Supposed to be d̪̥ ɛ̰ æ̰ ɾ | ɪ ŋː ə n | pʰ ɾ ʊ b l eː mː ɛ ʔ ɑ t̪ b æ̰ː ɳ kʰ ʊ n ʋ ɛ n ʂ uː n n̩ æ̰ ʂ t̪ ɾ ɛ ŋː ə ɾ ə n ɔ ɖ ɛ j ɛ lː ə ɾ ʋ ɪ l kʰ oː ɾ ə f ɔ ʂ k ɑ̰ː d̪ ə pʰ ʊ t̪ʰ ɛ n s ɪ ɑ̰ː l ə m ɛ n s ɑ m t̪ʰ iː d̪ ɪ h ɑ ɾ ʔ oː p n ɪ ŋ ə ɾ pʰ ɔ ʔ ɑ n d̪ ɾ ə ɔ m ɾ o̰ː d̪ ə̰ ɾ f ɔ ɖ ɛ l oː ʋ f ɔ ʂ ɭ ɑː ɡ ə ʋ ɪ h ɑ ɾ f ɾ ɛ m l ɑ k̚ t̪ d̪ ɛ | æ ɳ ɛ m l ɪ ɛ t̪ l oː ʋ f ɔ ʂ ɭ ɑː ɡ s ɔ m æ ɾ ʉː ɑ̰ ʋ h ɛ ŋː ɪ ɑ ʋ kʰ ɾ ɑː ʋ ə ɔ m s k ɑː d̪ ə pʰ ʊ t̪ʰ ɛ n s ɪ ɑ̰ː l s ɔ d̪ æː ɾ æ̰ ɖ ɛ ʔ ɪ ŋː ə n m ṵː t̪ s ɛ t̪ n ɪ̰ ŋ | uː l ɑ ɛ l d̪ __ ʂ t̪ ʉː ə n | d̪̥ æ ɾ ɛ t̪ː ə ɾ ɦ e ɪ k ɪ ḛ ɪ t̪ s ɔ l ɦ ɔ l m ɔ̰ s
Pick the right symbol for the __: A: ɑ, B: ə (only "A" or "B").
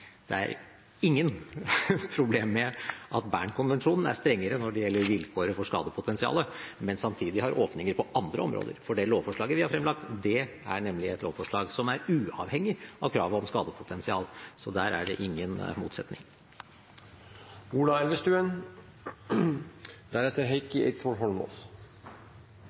B